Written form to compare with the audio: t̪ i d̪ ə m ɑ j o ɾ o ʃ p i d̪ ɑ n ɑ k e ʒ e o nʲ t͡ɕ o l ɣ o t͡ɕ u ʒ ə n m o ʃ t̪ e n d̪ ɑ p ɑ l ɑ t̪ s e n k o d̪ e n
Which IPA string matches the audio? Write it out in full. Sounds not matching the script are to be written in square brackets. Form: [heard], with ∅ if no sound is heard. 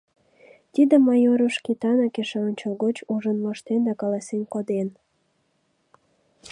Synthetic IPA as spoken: t̪ i d̪ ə m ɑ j o ɾ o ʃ [k] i [t̪] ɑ n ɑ k e [ʃ] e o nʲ t͡ɕ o l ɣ o t͡ɕ u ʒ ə n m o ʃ t̪ e n d̪ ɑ [k] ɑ l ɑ [∅] s e n k o d̪ e n